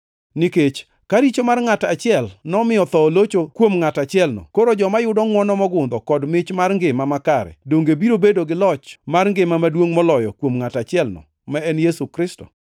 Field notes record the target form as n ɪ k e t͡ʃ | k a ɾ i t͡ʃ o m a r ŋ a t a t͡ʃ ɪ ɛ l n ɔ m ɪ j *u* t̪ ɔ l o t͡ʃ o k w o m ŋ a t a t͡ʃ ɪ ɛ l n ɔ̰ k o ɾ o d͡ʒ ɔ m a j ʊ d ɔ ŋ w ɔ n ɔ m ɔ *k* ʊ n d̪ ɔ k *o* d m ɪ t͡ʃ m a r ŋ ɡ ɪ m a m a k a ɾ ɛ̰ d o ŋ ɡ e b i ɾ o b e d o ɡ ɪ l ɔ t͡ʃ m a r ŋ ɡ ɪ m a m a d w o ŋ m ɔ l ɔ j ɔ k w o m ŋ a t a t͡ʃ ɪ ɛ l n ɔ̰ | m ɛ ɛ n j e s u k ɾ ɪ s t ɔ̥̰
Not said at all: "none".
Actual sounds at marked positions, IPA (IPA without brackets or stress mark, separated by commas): ɔ, ɡ, ɔ